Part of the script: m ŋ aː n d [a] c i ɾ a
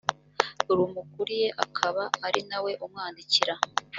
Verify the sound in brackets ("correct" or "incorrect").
incorrect